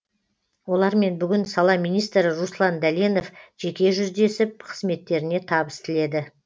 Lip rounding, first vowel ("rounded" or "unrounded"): rounded